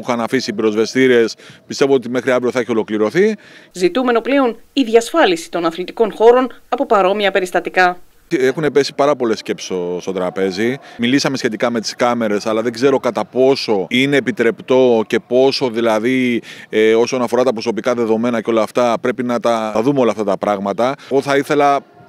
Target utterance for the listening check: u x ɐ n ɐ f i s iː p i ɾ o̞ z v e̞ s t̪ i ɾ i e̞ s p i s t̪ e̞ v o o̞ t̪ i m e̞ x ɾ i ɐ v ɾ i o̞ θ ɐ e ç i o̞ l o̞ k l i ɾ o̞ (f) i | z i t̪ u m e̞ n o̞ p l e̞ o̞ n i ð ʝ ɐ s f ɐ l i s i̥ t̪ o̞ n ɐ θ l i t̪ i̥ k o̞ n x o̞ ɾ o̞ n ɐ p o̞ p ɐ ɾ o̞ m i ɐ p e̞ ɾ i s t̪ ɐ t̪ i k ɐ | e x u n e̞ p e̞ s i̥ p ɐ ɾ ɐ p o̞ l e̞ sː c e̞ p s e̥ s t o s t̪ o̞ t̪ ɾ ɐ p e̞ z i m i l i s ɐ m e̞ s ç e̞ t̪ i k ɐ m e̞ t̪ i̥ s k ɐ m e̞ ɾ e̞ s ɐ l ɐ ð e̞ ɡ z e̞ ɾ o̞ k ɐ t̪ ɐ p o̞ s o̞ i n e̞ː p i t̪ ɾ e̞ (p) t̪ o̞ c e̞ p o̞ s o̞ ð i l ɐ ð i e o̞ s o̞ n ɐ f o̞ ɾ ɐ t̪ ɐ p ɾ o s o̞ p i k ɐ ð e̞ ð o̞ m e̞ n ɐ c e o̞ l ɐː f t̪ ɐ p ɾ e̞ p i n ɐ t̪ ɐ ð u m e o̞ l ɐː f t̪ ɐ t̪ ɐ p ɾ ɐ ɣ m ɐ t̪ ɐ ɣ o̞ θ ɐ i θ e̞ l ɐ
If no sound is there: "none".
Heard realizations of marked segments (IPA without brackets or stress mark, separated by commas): θ, p